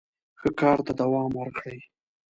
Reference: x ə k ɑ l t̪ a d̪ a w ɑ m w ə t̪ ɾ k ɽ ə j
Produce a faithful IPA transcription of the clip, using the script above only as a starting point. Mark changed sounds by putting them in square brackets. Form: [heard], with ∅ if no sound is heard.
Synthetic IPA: x ə k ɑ [ɾ] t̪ a d̪ a w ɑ m w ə [∅] ɾ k ɽ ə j